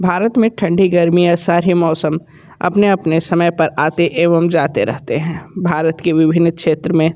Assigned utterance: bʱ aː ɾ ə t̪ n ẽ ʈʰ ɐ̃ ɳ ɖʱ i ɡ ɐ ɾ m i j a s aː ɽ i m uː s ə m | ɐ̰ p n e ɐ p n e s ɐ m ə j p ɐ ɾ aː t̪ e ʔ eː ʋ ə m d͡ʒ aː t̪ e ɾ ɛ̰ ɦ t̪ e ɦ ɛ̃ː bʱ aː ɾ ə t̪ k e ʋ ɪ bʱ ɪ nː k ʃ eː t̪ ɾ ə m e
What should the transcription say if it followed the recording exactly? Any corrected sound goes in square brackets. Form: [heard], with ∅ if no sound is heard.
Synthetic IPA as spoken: bʱ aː ɾ ə t̪ [m] ẽ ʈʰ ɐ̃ ɳ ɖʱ i ɡ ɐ ɾ m i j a s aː [ɾ] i m [ɔː] s ə m | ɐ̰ p n e ɐ p n e s ɐ m ə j p ɐ ɾ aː t̪ e ʔ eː ʋ ə m d͡ʒ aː t̪ e ɾ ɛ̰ ɦ t̪ e ɦ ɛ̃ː bʱ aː ɾ ə t̪ k e ʋ ɪ bʱ ɪ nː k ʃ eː t̪ ɾ ə m [ẽ]